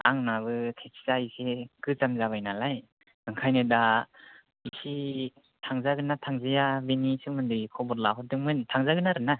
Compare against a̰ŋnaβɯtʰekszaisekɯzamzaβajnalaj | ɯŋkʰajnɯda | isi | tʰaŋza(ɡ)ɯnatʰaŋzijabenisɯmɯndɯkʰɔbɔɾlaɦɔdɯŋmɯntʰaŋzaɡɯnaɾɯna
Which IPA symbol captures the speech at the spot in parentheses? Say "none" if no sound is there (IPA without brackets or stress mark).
ɡ